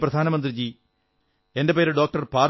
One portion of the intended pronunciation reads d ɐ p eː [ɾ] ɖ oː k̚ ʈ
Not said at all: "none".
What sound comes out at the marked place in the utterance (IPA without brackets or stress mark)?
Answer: ɾ